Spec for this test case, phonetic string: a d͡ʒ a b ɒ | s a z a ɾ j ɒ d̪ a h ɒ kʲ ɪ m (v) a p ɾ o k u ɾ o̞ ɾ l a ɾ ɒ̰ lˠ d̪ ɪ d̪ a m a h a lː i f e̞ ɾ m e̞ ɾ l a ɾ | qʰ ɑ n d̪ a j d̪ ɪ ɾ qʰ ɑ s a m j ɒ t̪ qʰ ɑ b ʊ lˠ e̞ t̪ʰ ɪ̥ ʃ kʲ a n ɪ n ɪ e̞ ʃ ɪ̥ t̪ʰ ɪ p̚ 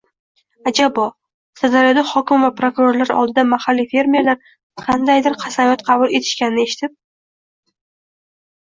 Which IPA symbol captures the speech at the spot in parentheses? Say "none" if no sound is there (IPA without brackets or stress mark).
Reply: v